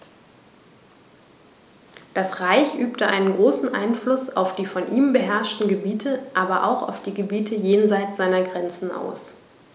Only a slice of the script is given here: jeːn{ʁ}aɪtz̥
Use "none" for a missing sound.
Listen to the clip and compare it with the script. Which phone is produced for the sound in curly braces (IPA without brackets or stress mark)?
z